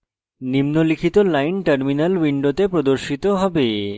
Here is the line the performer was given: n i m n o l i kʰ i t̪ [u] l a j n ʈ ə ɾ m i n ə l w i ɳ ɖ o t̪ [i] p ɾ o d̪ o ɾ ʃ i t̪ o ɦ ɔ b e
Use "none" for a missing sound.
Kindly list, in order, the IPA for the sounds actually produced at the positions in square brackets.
o, e

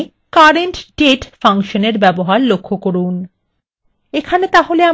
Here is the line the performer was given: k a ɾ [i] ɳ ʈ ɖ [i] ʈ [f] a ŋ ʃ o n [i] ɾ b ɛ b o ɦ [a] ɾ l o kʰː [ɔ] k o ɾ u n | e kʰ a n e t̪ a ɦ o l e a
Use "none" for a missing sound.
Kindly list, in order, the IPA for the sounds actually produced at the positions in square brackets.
e, e, f, e, a, o

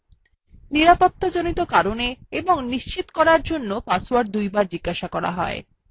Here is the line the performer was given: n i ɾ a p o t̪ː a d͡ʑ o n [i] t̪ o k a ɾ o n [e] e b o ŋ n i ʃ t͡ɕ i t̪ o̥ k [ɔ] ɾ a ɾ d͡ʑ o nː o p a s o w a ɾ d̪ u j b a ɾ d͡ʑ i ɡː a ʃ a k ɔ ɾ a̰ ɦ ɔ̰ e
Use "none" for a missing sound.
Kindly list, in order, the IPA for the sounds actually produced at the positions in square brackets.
i, e, ɔ

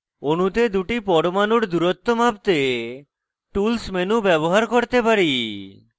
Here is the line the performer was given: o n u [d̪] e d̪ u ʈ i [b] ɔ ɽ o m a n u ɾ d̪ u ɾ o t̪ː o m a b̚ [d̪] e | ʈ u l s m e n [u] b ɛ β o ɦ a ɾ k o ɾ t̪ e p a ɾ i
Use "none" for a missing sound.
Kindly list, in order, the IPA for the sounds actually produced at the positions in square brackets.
t̪, p, t̪, u

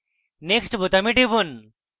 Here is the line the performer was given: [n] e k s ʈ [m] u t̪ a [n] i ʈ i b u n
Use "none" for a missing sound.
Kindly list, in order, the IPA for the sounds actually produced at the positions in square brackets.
n, b, m

